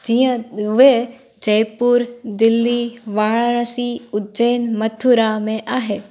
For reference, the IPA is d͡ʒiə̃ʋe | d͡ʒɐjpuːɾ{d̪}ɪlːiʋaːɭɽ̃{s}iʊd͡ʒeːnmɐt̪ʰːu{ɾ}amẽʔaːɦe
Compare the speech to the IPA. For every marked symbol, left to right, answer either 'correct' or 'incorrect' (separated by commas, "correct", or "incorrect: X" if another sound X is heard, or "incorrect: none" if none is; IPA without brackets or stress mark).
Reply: correct, correct, correct